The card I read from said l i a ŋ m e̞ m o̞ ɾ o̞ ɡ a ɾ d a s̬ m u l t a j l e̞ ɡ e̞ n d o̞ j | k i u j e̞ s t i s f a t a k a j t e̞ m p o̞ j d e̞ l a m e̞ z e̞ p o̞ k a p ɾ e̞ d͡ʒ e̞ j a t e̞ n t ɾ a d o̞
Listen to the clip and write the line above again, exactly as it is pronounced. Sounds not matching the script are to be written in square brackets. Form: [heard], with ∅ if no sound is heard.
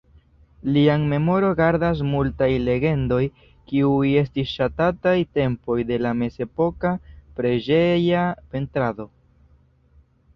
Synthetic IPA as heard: l i a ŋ m e̞ m o̞ ɾ o̞ ɡ a ɾ d a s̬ m u l t a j l e̞ ɡ e̞ n d o̞ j | k i u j e̞ s t i s [ʃ] a t a [t] a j t e̞ m p o̞ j d e̞ l a m e̞ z e̞ p o̞ k a p ɾ e̞ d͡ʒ e̞ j a [p] e̞ n t ɾ a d o̞